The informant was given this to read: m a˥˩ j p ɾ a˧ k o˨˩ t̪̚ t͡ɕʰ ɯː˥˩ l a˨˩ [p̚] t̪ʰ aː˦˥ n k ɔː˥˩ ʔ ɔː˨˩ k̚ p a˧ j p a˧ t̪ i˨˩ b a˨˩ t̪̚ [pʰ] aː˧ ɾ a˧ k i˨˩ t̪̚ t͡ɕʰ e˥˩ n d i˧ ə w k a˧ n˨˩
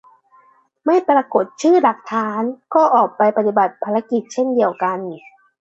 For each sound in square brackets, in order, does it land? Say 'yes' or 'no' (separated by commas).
no, yes